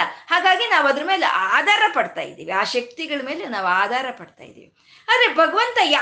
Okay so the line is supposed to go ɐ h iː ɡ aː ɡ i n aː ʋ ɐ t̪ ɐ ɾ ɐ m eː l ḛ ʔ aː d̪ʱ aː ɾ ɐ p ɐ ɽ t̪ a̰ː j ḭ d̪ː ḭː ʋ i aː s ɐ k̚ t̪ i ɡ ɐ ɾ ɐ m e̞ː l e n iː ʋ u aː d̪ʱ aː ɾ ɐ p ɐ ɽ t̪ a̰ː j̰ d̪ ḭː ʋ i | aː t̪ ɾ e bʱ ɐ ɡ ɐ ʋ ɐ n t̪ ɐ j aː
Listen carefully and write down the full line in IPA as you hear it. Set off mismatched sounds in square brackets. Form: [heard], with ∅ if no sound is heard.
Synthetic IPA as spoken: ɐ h [aː] ɡ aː ɡ i n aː ʋ ɐ [d̪] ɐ ɾ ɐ m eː l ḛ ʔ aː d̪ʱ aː ɾ ɐ p ɐ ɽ t̪ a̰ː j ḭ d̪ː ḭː ʋ i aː [ʃ] ɐ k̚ t̪ i ɡ ɐ [ɭ] ɐ m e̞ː l e n [aː] ʋ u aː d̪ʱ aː ɾ ɐ p ɐ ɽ t̪ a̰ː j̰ d̪ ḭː ʋ i | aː [d̪] ɾ e bʱ ɐ ɡ ɐ ʋ ɐ n t̪ ɐ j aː